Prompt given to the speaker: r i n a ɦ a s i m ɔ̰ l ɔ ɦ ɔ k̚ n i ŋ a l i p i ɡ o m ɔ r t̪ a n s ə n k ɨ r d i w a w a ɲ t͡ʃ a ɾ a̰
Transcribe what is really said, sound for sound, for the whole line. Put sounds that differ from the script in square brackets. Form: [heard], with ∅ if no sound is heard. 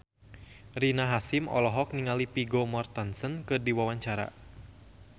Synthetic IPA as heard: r i n a ɦ a s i m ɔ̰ l ɔ ɦ ɔ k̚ n i ŋ a l i p i ɡ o m ɔ r t̪ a n s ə n k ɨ r d i w a w a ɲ t͡ʃ a ɾ a̰